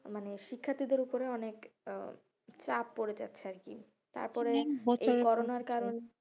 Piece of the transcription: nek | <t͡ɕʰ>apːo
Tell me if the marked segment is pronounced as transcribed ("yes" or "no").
no